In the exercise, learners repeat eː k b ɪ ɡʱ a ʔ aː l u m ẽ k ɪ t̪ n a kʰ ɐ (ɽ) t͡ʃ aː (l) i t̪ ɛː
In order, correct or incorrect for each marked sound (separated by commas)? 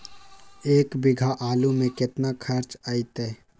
incorrect, incorrect